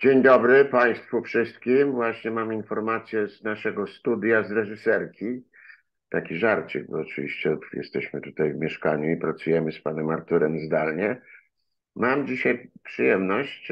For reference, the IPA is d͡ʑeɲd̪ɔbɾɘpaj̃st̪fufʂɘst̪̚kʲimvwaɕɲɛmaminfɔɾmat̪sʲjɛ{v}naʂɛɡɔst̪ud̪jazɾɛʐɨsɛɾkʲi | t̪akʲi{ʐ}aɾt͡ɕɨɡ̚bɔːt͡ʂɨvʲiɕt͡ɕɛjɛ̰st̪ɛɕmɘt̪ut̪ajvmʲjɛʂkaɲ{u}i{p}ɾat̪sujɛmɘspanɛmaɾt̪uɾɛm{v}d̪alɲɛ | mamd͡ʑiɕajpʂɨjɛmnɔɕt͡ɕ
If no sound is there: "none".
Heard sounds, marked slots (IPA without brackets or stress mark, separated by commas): z, ʐ, u, p, z